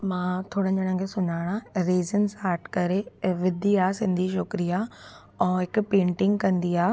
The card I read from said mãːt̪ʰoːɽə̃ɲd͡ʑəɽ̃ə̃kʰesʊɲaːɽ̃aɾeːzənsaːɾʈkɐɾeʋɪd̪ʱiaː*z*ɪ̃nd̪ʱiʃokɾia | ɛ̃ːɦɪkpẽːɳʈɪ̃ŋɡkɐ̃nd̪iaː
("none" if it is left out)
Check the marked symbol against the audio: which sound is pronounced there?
s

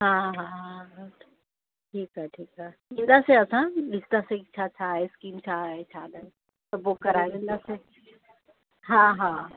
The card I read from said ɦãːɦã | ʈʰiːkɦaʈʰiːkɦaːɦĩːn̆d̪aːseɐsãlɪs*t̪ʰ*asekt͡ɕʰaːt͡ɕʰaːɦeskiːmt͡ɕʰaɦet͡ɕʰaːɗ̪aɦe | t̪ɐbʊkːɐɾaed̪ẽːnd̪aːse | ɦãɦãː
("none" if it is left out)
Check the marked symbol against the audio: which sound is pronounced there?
t̪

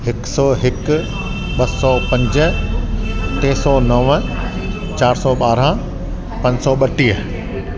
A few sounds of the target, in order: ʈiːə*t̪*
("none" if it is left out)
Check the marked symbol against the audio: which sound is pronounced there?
none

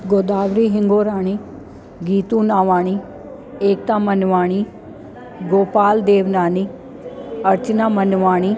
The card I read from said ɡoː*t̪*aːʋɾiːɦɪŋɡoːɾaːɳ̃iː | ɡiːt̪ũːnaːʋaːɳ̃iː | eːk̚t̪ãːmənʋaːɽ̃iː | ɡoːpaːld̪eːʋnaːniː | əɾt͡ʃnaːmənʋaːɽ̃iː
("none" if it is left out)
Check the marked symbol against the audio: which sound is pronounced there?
d̪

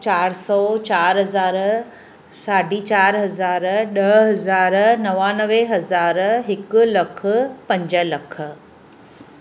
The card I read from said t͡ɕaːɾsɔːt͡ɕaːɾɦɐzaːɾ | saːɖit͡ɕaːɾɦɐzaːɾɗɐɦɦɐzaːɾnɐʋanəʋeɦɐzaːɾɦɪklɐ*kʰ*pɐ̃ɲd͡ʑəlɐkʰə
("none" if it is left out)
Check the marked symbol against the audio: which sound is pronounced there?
kʰ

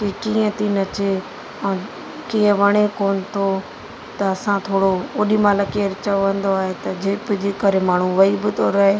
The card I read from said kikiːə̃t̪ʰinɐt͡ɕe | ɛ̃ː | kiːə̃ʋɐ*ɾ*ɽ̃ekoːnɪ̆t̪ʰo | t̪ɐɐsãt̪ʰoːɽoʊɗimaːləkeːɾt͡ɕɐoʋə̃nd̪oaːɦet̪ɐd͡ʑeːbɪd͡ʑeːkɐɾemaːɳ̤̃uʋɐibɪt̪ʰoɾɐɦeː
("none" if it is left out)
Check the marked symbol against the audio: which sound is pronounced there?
none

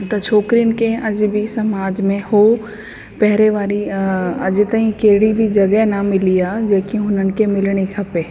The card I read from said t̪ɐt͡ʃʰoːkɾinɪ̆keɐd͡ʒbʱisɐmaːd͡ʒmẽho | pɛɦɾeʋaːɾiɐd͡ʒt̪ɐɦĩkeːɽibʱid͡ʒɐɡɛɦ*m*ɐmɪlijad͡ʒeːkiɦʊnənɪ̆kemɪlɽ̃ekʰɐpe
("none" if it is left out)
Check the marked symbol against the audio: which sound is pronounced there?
n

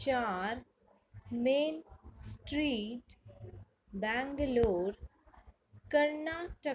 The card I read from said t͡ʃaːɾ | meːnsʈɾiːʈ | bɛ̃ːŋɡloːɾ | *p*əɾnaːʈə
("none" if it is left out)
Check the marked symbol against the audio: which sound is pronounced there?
k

